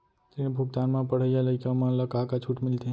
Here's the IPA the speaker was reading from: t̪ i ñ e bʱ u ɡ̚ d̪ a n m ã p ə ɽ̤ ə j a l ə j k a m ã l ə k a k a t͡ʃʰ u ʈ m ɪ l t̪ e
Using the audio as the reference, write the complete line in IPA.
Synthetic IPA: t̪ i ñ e bʱ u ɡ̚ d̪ a n m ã p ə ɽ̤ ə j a l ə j k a m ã l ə k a k a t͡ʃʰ u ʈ m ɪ l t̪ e